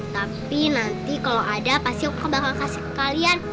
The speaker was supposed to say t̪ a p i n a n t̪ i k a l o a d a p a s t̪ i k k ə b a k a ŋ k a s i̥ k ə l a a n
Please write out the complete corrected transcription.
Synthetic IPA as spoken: t̪ a p i n a n t̪ i k a l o a d a p a s t̪ i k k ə b a k a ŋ k a s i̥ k a l i a n

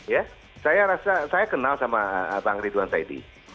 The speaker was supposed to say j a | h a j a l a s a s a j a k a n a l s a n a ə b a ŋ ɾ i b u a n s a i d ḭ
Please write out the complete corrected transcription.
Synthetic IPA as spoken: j a | s a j a ɾ a s a s a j a k ə n a l s a m a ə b a ŋ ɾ i d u a n s a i d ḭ

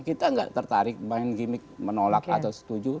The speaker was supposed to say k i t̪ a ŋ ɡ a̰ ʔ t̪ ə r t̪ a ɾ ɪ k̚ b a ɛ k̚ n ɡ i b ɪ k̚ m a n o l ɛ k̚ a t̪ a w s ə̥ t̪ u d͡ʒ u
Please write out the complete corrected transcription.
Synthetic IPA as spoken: k i t̪ a ŋ ɡ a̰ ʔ t̪ ə r t̪ a ɾ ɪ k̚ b a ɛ n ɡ i m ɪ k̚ m ə n o l a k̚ a t̪ a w s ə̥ t̪ u d͡ʒ u

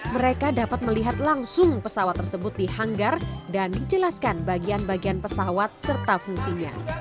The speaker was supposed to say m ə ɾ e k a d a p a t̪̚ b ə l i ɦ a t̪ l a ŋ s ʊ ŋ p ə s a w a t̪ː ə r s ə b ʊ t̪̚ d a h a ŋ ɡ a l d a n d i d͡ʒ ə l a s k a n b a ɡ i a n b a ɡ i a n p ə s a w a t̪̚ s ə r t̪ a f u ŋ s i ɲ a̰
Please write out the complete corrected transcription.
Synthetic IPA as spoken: m ə ɾ e k a d a p a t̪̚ m ə l i ɦ a t̪ l a ŋ s ʊ ŋ p ə s a w a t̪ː ə r s ə b ʊ t̪̚ d i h a ŋ ɡ a r d a n d i d͡ʒ ə l a s k a n b a ɡ i a n b a ɡ i a n p ə s a w a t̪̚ s ə r t̪ a f u ŋ s i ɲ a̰

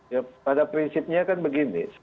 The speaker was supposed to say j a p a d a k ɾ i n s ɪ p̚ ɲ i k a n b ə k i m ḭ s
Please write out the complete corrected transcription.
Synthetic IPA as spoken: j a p a d a p ɾ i n s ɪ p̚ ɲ a k a n b ə ɡ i n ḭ s

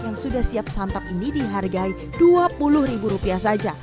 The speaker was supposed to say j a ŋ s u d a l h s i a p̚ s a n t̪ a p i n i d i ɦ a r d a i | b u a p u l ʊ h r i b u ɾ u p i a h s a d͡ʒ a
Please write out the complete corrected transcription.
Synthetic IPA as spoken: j a ŋ s u d a h s i a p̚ s a n t̪ a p i n i d i ɦ a r ɡ a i | d u a p u l ʊ h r i b u ɾ u p i a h s a d͡ʒ a

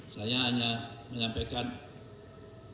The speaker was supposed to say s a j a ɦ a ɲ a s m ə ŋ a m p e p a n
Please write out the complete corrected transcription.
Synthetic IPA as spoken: s a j a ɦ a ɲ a m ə ɲ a m p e k a n

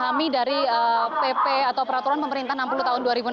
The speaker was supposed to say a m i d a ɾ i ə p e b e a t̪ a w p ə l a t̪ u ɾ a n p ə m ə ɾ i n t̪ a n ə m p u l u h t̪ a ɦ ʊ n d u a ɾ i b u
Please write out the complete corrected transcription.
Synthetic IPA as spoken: a m i d a ɾ i ə p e p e a t̪ a w p ə ɾ a t̪ u ɾ a n p ə m ə ɾ i n t̪ a n a m p u l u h t̪ a ɦ ʊ n d u a ɾ i b u

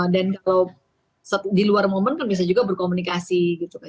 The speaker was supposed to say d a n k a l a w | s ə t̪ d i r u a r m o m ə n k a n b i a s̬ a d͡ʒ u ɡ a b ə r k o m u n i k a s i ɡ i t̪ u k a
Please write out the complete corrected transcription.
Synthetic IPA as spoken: d a n k a l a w | s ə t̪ d i l u a r m o m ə n k a n b i a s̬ a d͡ʒ u ɡ a b ə r k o m u n i k a s i ɡ i t̪ u k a

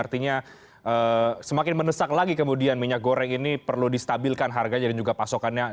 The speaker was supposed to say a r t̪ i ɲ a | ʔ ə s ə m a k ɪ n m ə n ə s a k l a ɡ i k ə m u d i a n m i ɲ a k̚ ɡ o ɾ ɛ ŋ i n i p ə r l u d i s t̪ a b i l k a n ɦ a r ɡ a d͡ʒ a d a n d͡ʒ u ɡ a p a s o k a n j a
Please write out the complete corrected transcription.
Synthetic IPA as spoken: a r t̪ i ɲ a | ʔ ə s ə m a k ɪ n m ə n ə s a k l a ɡ i k ə m u d i a n m i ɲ a k̚ ɡ o ɾ ɛ ŋ i n i p ə r l u d i s t̪ a b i l k a n ɦ a r ɡ a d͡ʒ a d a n d͡ʒ u ɡ a p a s o k a n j a

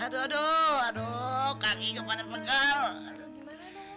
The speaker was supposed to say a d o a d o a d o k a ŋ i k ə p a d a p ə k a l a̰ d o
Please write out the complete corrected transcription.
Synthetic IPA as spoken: a d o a d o a d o k a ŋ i k ə p a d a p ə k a l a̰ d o

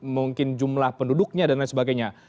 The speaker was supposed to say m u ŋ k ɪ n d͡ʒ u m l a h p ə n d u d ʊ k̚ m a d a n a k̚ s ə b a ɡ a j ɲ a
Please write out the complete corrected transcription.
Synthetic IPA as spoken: m u ŋ k ɪ n d͡ʒ u m l a h p ə n d u d ʊ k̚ ɲ a d a n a s ə b a ɡ a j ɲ a

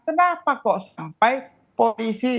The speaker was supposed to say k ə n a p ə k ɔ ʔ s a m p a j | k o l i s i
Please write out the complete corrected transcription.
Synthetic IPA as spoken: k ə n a p a k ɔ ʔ s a m p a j | p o l i s i

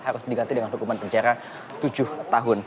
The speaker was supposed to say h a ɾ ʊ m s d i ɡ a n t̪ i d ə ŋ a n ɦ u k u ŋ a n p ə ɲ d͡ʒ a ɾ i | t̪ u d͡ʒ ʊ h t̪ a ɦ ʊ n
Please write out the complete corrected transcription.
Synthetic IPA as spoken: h a ɾ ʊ s d i ɡ a n t̪ i d ə ŋ a n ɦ u k u m a n p ə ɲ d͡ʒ a ɾ a | t̪ u d͡ʒ ʊ h t̪ a ɦ ʊ n

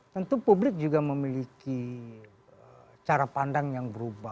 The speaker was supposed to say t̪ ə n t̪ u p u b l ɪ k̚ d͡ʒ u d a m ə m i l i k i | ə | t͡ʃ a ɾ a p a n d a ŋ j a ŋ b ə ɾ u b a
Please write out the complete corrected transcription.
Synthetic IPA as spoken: t̪ ə n t̪ u p u b l ɪ k̚ d͡ʒ u ɡ a m ə m i l i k i | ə | t͡ʃ a ɾ a p a n d a ŋ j a ŋ b ə ɾ u b a

